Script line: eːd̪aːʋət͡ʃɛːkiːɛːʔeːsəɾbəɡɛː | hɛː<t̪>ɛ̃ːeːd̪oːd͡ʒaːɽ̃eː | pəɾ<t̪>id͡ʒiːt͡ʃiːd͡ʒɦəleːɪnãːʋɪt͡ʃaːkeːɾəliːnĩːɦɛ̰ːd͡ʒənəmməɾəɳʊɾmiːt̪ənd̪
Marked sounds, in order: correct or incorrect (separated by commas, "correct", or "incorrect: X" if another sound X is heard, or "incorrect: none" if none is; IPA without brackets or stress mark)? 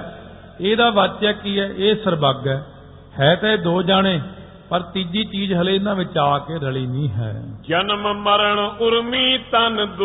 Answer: correct, correct